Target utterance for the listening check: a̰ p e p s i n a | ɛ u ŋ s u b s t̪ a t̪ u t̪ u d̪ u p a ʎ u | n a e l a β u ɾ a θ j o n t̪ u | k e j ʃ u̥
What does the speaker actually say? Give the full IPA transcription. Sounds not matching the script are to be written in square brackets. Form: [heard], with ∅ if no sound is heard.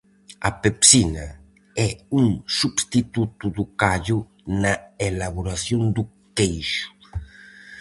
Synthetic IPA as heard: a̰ p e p s i n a | ɛ u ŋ s u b s t̪ [i] t̪ u t̪ u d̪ u [k] a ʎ u | n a e l a β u ɾ a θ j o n [d̪] u | k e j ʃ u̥